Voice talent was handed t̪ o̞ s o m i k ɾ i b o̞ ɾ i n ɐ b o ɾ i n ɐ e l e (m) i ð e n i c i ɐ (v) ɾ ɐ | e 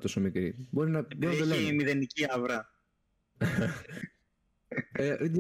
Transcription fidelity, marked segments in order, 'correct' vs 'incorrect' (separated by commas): correct, correct